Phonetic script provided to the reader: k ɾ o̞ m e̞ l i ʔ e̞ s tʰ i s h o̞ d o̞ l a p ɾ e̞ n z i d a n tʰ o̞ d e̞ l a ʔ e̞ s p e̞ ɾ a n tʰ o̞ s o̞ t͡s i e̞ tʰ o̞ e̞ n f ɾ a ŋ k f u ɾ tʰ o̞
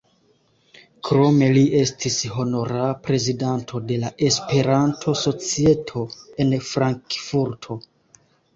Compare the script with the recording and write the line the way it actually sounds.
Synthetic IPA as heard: k ɾ o̞ m e̞ l i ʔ e̞ s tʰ i s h o̞ n o̞ ɾ a p ɾ e̞ z i d a n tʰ o̞ d e̞ l a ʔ e̞ s p e̞ ɾ a n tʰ o̞ s o̞ t͡s i e̞ tʰ o̞ e̞ n f ɾ a ŋ k f u ɾ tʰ o̞